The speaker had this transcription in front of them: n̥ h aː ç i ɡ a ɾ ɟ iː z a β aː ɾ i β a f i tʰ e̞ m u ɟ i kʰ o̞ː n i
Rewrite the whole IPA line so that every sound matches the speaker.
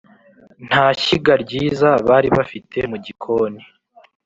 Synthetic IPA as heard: n̥ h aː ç i ɡ a ɾ ɟ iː z a β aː ɾ i β a f i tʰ e̞ m u ɟ i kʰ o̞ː n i

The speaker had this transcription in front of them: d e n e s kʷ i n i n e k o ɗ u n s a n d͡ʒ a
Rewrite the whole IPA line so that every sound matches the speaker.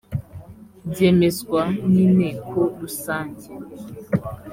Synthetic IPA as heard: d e m e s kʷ a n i n e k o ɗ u s a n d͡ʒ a

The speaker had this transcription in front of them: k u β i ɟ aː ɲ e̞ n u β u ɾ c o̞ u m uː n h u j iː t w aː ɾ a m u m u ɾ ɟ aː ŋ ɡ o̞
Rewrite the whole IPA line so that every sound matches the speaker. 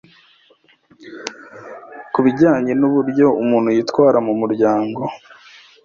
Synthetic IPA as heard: k u β i ɟ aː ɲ e̞ n u β u ɾ ɟ o̞ u m uː n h u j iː t w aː ɾ a m u m u ɾ ɟ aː ŋ ɡ o̞

